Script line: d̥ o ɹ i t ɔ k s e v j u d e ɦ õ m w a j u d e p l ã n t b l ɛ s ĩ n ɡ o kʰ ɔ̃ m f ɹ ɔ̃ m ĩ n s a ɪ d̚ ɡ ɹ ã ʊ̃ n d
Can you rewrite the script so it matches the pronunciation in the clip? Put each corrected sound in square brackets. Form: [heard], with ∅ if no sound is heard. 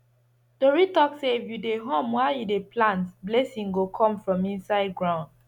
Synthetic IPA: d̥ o ɹ i t ɔ k s e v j u d e ɦ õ m w a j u d e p l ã n t b l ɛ s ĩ [ŋ] ɡ o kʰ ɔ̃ m f ɹ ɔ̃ m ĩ n s a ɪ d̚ ɡ ɹ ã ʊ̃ n d